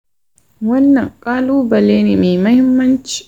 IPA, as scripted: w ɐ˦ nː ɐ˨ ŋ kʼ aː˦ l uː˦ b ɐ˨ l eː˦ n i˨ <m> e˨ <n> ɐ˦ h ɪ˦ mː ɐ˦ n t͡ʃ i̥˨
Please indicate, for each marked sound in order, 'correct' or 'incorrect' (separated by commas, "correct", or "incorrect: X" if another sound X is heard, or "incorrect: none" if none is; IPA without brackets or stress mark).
correct, incorrect: m